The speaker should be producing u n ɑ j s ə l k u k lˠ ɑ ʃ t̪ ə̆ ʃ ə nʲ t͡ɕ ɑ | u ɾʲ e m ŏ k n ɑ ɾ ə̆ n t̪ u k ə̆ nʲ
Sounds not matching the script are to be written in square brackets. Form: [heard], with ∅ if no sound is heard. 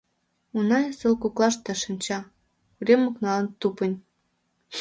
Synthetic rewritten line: u n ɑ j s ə l k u k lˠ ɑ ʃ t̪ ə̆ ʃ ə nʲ t͡ɕ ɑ | u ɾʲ e m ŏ k n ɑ [l] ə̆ n t̪ u [p] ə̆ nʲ